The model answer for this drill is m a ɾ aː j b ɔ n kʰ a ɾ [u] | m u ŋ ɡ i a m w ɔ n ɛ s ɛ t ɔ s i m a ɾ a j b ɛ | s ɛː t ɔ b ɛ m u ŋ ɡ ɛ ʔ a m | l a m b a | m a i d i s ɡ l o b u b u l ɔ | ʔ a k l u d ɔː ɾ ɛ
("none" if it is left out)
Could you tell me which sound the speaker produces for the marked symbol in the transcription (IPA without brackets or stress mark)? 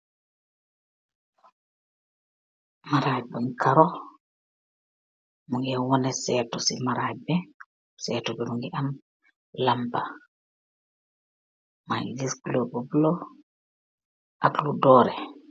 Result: ɔ